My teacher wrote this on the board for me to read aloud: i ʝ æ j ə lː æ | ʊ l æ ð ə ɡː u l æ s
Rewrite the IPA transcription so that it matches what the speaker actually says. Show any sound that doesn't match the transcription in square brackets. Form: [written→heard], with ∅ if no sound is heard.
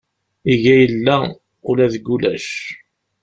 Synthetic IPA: i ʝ æ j ə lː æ | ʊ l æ ð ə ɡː u l æ [s→ʃ]